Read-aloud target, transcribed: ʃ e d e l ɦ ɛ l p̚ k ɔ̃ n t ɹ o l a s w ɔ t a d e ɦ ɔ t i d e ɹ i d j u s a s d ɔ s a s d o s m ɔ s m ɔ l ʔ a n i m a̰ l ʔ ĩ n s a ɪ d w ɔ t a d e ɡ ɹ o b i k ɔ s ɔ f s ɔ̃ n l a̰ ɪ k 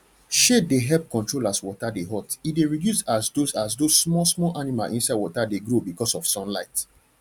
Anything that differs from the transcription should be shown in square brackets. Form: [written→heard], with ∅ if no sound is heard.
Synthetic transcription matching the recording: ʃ e d e [l→∅] ɦ ɛ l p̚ k ɔ̃ n t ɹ o l a s w ɔ t a d e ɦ ɔ t i d e ɹ i d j u s a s d [ɔ→o] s a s d o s m ɔ s m ɔ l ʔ a n i m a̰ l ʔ ĩ n s a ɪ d w ɔ t a d e ɡ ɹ o b i k ɔ s ɔ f s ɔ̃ n l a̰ ɪ [k→t]